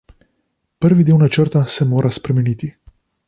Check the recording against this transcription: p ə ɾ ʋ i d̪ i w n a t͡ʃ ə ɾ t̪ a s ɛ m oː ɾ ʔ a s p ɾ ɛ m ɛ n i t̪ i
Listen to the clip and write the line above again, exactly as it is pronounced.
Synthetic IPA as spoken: p ə ɾ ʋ i d̪ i w n a t͡ʃ ə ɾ t̪ a s ɛ m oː ɾ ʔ a s p ɾ ɛ m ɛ n i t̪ i